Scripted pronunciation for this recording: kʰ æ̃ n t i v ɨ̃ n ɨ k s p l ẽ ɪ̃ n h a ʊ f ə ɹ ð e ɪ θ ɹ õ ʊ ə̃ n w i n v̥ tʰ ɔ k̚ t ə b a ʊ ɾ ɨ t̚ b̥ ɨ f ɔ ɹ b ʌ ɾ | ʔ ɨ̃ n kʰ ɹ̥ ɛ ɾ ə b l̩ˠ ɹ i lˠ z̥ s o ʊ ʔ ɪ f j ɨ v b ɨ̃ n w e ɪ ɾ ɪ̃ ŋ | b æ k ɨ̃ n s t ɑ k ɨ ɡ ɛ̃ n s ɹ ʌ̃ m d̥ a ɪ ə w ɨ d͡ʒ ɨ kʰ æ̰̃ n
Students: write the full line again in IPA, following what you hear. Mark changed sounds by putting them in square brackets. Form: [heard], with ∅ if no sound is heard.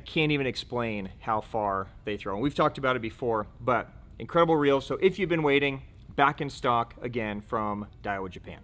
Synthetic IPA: kʰ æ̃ n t i v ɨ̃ n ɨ k s p l ẽ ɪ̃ n h a ʊ f [ɑ] ɹ ð e ɪ θ ɹ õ ʊ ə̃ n w i [∅] v̥ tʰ ɔ k̚ t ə b a ʊ ɾ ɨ t̚ b̥ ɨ f ɔ ɹ b ʌ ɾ | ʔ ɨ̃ n kʰ ɹ̥ ɛ ɾ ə b l̩ˠ ɹ i lˠ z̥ s o ʊ ʔ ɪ f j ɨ v b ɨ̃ n w e ɪ ɾ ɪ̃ ŋ | b æ k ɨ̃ n s t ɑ k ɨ ɡ ɛ̃ n [f] ɹ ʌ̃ m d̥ a ɪ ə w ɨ d͡ʒ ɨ [pʰ] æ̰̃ n